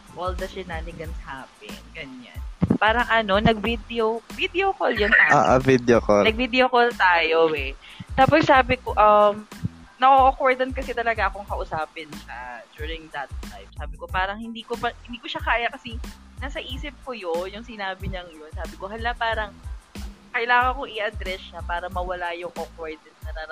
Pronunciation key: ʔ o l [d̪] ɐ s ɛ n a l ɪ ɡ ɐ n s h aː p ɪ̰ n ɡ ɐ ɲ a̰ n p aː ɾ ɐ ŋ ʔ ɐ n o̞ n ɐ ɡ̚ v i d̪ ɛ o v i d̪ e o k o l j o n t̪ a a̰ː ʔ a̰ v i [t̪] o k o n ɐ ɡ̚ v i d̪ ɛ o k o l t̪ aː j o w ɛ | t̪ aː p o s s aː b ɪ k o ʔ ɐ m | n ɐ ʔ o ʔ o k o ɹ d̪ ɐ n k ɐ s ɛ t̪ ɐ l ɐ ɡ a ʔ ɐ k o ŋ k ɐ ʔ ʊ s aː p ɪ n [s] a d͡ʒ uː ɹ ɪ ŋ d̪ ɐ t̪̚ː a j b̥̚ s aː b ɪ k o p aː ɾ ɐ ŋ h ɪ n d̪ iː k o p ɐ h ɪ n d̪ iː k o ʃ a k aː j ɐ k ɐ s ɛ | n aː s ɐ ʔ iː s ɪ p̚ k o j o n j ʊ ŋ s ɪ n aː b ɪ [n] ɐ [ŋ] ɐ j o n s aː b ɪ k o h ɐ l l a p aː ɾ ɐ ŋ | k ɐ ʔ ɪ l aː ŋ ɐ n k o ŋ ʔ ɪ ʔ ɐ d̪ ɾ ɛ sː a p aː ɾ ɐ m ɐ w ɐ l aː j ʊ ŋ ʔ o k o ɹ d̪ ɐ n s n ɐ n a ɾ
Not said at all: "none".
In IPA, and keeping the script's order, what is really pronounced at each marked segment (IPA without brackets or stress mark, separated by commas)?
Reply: d̪, d̪, ʃ, ɲ, ŋ